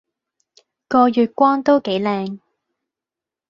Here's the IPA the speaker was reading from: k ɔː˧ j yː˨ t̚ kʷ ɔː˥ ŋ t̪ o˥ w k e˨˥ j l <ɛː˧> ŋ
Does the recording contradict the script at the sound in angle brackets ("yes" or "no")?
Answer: no